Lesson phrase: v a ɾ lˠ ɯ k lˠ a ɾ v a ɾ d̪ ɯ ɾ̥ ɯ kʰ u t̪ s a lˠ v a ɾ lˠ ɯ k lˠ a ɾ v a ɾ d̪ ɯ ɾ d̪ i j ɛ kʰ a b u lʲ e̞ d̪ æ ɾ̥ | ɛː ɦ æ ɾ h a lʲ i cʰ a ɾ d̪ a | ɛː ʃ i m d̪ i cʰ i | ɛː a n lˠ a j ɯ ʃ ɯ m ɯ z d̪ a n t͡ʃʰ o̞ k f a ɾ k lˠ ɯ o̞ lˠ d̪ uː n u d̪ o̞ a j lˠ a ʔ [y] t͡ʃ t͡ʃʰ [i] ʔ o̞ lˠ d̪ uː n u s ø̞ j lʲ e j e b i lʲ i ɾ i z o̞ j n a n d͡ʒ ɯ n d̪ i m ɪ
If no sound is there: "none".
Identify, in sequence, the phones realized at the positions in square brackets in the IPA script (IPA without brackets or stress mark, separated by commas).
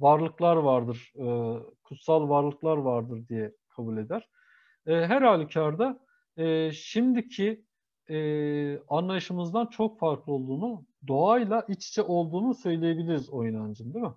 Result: i, ɛ